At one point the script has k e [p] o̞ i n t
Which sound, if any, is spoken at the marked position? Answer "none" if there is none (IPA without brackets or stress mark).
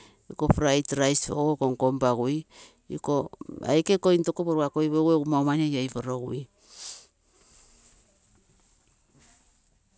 k